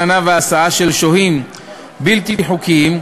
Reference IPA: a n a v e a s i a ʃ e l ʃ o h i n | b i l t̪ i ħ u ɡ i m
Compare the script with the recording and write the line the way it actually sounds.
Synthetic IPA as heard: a n a v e a s a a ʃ e l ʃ o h i m | b i l t̪ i ħ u k i m

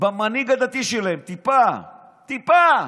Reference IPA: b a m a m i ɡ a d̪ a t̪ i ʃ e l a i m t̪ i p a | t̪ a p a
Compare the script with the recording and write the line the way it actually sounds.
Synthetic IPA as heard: b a m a n i ɡ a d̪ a t̪ i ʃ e l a e m t̪ i p a | t̪ i p a

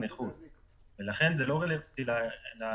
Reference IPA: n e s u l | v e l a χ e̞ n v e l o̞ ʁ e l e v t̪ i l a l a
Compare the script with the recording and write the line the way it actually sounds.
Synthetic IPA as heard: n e χ u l | v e l a χ e̞ n z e l o̞ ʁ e l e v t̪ i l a l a

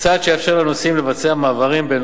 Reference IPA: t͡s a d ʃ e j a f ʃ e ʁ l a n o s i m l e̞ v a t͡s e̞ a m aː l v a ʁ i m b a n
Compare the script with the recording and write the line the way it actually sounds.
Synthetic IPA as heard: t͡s a d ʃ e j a f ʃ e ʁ l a n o s i m l e̞ v a t͡s e̞ a m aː v a ʁ i m b e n

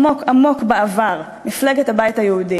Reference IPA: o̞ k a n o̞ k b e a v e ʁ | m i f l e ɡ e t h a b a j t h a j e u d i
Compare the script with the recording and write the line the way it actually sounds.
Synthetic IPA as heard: o̞ k a m o̞ k b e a v a ʁ | m i f l e ɡ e t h a b a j t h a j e u d i

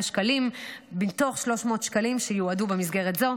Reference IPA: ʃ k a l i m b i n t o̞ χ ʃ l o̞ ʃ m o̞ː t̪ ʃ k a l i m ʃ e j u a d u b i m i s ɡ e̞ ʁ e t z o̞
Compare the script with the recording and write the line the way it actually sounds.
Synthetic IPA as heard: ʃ k a l i m b i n t o̞ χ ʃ l o̞ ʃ m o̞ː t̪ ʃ k a l i m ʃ e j u a d u b e m i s ɡ e̞ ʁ e t z o̞

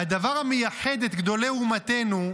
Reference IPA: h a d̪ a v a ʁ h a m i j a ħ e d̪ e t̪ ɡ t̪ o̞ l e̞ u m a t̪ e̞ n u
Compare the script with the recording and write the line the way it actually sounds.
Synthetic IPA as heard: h a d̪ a v a ʁ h a m e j a ħ e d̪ e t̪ ɡ d̪ o̞ l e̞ u m a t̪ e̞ n u

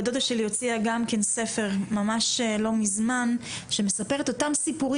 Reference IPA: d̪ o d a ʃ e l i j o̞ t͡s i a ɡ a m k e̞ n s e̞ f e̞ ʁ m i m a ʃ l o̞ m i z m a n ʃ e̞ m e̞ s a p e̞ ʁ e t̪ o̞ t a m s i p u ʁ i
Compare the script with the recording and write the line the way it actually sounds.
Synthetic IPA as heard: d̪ o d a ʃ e l i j o̞ t͡s i a ɡ a m k e̞ n s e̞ f e̞ ʁ m a m a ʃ l o̞ m i z m a n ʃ e̞ m e̞ s a p e̞ ʁ e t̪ o̞ t a m s i p u ʁ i

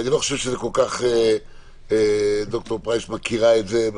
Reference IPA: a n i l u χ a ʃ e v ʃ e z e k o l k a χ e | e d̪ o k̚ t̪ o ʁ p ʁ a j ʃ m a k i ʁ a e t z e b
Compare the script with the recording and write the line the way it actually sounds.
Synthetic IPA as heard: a n i l o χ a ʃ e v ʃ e z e k o l k a χ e | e d̪ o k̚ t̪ o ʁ p ʁ a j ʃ m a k i ʁ a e t z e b

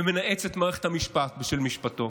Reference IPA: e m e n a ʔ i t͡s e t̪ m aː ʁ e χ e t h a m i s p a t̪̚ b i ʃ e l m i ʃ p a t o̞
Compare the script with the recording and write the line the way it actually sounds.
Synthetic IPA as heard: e m e n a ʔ e t͡s e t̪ m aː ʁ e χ e t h a m i ʃ p a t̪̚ b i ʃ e l m i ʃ p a t o̞

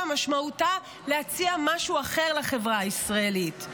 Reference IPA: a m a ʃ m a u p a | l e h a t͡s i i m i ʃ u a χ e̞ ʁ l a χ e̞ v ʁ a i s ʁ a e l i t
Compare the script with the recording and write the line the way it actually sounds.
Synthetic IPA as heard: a m a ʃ m a u t a | l e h a t͡s i a m a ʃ u a χ e̞ ʁ l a χ e̞ v ʁ a i s ʁ a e l i t

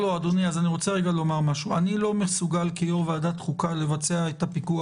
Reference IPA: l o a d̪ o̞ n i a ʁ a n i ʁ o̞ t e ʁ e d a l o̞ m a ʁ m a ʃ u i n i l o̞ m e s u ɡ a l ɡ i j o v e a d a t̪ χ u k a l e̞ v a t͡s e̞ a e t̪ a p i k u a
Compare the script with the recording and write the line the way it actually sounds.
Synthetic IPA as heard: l o a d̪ o̞ n i a z a n i ʁ o̞ t͡s e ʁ e ɡ a l o̞ m a ʁ m a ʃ u a n i l o̞ m e s u ɡ a l k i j o v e a d a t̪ χ u k a l e̞ v a t͡s e̞ a e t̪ a p i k u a

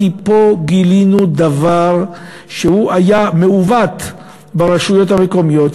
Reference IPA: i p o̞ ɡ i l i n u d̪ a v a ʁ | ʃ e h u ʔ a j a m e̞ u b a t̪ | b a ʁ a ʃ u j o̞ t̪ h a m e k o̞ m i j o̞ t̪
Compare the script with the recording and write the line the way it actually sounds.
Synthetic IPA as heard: i p o̞ ɡ i l i n u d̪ a v a ʁ | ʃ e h u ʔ a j a m e̞ u v a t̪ | b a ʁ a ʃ u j o̞ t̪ h a m e k o̞ m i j o̞ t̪

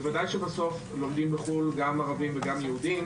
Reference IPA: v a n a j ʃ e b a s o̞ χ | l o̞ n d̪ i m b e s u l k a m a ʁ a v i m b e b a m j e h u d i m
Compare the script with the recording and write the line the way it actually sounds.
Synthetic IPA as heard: v a d a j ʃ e b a s o̞ f | l o̞ m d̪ i m b e χ u l ɡ a m a ʁ a v i m v e ɡ a m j e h u d i m

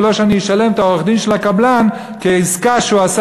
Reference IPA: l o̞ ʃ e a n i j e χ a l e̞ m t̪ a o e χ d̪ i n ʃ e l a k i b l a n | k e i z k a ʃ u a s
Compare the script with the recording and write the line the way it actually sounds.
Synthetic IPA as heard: l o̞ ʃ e a n i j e ʃ a l e̞ m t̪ a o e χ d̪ i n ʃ e l a k a b l a n | k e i z k a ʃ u a s

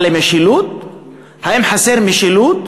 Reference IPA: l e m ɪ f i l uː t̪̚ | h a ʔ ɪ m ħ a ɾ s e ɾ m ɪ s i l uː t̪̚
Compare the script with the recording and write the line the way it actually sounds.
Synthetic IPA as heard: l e m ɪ ʃ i l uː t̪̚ | h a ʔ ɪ m ħ a s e ɾ m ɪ ʃ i l uː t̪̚

